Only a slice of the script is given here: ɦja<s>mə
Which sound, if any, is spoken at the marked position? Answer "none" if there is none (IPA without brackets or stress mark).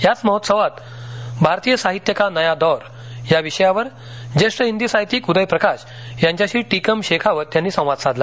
t͡s